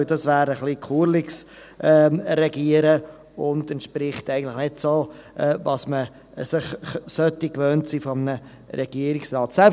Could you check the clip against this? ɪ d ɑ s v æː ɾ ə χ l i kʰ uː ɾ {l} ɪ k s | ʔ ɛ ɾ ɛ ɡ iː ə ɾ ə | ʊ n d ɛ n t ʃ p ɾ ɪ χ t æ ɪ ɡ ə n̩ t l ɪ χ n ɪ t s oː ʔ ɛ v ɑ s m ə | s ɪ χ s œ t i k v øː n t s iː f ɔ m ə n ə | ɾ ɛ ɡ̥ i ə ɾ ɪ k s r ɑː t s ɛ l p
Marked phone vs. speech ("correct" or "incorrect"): correct